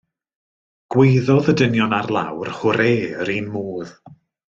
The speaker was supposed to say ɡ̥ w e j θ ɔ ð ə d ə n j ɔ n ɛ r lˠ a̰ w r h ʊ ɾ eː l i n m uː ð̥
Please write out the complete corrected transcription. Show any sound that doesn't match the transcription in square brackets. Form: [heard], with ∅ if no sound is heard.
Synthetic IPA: ɡ̥ w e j [ð] ɔ ð ə d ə n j ɔ n [a] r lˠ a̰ w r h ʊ ɾ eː [ɾ] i n m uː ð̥